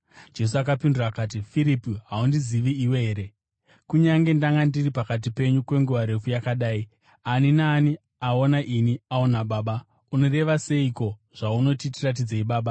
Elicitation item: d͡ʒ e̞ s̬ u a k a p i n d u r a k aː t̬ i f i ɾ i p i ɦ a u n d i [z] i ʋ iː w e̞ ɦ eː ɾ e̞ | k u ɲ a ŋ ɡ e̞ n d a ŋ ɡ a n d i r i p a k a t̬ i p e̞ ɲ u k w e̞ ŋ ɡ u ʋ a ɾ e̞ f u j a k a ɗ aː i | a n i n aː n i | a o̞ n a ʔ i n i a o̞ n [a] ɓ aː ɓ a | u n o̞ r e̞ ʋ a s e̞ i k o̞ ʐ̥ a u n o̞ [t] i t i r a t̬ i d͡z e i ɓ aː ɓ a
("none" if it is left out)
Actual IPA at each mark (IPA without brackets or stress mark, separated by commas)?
z, a, t